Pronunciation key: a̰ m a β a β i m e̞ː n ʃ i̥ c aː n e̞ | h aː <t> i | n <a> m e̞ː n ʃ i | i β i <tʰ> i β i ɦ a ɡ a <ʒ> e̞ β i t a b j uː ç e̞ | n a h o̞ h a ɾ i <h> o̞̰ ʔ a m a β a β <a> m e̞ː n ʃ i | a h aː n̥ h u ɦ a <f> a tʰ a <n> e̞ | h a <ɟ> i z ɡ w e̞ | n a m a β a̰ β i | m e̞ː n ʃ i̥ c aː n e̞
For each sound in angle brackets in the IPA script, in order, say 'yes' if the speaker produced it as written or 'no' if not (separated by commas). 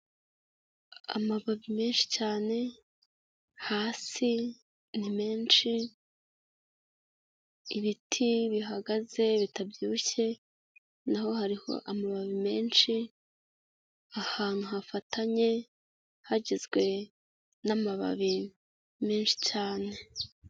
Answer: no, no, yes, no, yes, no, yes, no, yes